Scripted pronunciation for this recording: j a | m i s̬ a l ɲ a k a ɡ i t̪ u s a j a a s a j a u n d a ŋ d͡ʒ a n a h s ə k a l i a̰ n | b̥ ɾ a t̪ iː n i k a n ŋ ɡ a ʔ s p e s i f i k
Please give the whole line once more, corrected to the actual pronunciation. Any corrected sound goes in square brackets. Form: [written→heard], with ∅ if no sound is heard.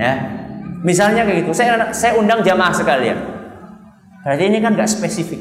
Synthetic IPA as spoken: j a | m i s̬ a l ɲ a k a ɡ i t̪ u s a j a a s a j a u n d a ŋ d͡ʒ a [n→m] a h s ə k a l i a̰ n | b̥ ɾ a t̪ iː n i k a n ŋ ɡ a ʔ s p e s i f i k